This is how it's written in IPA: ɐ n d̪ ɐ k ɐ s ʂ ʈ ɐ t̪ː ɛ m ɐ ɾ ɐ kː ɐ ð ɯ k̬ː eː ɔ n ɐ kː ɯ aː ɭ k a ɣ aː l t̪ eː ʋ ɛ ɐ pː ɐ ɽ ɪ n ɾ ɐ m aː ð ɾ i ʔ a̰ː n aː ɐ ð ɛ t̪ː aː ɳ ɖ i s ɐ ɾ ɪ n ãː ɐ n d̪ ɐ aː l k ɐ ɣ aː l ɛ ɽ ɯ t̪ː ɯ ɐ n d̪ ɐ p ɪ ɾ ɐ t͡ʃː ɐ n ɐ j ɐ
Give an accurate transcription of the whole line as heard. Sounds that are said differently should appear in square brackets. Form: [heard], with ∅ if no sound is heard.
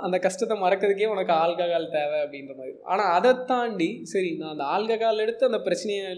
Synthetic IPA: ɐ n d̪ ɐ k ɐ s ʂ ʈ ɐ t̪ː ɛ m ɐ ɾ ɐ kː ɐ ð ɯ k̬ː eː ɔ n ɐ kː ɯ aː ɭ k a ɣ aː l t̪ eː ʋ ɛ ɐ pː ɐ ɽ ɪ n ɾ ɐ m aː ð ɾ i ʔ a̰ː n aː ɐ ð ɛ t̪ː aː ɳ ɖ i s ɐ ɾ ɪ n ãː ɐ n d̪ ɐ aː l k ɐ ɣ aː l ɛ ɽ ɯ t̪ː ɯ ɐ n d̪ ɐ p ɪ ɾ ɐ t͡ʃː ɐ n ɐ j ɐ